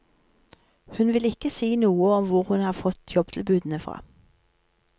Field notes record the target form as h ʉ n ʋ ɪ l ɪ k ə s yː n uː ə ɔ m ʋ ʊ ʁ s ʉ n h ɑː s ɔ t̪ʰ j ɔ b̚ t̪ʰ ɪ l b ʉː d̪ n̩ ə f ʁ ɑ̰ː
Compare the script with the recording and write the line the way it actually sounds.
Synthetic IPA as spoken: h ʉ n ʋ ɪ l ɪ k ə s iː n uː ə ɔ m ʋ ʊ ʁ h ʉ n h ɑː f ɔ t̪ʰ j ɔ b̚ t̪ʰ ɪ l b ʉː d̪ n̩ ə f ʁ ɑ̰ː